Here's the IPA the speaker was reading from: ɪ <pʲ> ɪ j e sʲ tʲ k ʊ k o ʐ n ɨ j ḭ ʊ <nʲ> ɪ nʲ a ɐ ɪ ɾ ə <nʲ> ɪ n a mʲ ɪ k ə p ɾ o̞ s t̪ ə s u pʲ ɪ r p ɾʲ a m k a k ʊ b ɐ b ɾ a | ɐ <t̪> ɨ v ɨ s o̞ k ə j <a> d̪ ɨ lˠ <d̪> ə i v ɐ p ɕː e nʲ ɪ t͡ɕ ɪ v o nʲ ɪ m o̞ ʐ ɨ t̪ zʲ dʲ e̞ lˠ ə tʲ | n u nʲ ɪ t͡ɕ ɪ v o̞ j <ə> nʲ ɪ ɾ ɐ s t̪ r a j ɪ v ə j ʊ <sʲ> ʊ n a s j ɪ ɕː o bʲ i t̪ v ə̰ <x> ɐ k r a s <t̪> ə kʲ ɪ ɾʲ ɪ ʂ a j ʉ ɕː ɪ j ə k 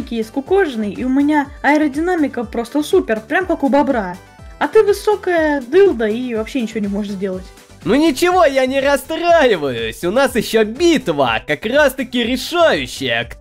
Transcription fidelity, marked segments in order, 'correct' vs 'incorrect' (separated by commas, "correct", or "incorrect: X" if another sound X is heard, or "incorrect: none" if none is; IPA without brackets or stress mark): incorrect: kʲ, incorrect: mʲ, incorrect: dʲ, correct, incorrect: ə, correct, incorrect: a, correct, incorrect: k, correct